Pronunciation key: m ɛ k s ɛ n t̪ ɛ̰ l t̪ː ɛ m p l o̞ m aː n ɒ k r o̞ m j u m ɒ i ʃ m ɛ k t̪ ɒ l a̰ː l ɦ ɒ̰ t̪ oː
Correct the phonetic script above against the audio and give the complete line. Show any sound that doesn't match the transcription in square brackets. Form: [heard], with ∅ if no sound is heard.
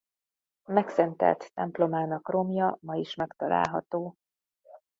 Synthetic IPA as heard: m ɛ k s ɛ n t̪ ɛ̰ l t̪ː ɛ m p l o̞ m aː n ɒ k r o̞ m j [ɒ] m ɒ i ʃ m ɛ k t̪ ɒ l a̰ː l ɦ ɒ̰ t̪ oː